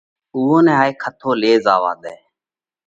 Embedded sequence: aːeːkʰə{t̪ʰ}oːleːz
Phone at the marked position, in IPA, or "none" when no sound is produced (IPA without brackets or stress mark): t̪ʰ